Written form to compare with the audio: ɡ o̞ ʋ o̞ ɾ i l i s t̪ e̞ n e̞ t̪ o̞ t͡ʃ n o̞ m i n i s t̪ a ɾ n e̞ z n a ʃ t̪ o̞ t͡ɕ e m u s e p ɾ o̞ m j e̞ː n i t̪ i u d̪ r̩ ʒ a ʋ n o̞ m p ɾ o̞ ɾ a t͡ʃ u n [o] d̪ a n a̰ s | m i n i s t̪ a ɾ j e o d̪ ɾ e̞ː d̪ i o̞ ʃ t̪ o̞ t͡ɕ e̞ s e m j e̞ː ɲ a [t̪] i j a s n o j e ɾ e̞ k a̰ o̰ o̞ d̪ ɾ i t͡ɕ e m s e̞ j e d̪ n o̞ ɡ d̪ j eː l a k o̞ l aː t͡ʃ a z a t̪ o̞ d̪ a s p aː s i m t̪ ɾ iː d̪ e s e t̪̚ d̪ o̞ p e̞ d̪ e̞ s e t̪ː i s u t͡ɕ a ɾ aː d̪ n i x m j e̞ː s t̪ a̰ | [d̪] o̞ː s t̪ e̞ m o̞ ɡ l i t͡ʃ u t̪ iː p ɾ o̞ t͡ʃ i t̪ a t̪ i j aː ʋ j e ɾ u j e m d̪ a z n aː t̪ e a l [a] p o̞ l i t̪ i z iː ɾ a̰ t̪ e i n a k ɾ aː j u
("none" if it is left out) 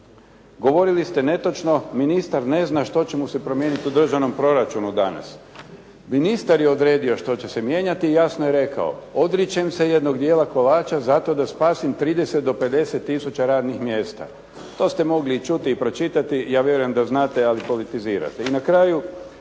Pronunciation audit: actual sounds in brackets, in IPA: u, t̪, t̪, i

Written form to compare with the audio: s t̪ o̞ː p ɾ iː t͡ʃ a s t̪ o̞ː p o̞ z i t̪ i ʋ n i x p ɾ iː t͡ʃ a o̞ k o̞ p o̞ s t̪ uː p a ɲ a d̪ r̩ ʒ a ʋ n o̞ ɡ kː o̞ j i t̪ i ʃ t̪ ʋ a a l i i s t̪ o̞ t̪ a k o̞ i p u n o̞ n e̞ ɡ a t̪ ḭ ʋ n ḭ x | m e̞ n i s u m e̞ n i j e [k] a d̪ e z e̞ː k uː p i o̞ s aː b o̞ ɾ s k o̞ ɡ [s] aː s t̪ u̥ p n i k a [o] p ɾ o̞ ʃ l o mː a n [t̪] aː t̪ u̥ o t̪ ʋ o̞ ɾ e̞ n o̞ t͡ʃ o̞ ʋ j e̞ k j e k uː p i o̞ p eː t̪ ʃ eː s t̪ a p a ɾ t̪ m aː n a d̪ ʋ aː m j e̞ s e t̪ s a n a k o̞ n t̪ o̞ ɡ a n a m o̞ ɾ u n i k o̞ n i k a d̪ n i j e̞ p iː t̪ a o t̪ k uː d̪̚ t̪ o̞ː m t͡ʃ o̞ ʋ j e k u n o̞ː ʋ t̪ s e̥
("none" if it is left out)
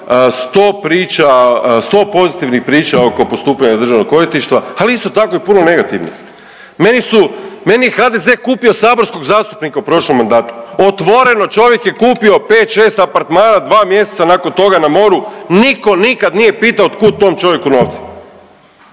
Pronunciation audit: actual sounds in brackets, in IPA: x, z, u, d̪

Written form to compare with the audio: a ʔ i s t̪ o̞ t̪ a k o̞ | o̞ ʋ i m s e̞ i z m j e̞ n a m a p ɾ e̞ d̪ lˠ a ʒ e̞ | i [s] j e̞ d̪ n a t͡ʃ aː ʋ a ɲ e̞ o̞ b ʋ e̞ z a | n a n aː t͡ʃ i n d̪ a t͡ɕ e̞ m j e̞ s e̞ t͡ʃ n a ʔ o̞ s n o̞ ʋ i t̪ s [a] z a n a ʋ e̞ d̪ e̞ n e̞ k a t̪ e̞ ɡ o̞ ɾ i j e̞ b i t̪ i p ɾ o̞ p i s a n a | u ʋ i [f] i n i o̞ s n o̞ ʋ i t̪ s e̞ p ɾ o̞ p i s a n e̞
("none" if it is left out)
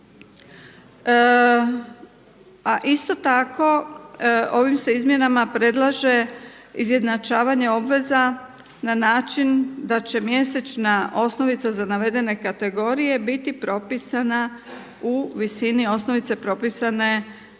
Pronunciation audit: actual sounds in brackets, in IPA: z, a, s

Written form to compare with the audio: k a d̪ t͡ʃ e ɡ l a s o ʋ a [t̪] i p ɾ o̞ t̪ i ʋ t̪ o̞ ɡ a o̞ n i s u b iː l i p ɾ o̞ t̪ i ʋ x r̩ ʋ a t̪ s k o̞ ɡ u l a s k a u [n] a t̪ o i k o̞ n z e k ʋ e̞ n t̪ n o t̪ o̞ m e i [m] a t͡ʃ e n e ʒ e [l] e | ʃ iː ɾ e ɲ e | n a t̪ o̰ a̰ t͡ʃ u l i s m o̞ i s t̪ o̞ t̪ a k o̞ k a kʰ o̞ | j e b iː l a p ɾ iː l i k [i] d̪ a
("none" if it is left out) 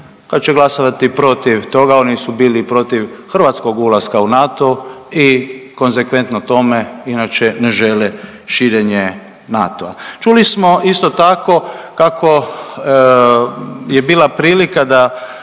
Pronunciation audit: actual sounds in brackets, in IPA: t̪, n, n, l, a

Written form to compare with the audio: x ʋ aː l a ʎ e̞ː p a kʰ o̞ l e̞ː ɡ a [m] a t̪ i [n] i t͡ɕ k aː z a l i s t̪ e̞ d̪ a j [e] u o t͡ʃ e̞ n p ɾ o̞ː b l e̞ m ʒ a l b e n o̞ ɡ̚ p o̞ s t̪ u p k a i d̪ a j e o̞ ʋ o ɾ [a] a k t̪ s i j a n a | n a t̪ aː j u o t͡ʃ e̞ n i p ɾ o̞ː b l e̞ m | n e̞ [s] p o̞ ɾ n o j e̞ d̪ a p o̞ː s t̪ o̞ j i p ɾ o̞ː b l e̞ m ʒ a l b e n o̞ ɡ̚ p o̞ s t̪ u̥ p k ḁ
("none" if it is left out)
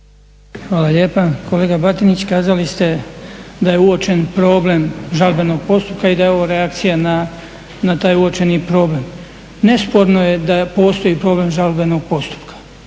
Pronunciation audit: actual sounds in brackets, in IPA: b, n, e, e, s

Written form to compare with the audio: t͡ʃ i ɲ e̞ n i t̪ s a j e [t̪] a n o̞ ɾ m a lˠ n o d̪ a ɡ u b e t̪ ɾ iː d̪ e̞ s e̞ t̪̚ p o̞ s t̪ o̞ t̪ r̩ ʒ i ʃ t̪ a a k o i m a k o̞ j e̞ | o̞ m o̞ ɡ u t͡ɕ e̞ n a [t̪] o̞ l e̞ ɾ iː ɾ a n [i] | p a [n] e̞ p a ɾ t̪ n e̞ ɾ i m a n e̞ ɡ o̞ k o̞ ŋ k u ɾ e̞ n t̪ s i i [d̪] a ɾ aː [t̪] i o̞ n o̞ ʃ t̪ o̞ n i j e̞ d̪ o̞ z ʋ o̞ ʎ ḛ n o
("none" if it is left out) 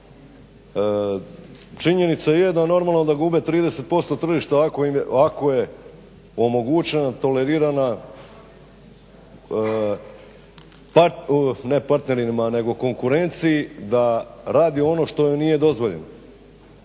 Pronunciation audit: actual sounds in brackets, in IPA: d̪, t̪, a, n, d̪, d̪

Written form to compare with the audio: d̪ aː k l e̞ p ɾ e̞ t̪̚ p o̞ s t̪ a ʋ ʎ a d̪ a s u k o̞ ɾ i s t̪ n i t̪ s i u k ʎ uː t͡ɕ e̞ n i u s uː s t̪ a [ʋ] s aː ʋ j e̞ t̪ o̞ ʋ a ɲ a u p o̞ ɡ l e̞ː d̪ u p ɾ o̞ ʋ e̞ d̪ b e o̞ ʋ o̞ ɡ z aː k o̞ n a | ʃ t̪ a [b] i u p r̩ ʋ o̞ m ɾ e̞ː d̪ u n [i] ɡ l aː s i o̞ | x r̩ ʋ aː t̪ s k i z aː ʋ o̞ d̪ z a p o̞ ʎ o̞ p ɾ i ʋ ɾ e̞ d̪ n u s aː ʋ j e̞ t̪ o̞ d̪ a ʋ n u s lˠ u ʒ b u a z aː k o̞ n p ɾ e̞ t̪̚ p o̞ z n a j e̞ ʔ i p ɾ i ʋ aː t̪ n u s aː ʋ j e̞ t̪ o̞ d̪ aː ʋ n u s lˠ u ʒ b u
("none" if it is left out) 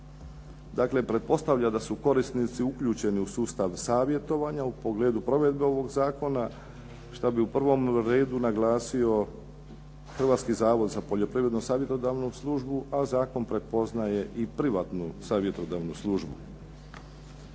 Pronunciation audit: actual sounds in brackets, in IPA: ʋ, b, a

